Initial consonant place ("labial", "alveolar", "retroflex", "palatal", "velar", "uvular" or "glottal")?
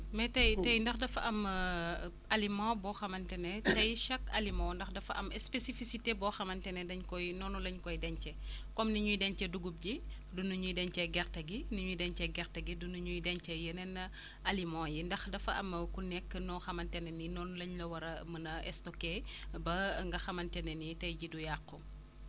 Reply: labial